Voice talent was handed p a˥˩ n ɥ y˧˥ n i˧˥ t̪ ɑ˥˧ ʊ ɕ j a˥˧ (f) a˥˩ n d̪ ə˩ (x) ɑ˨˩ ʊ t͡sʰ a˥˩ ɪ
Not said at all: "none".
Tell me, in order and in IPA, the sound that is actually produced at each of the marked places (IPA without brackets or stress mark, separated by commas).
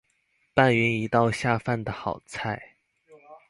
f, x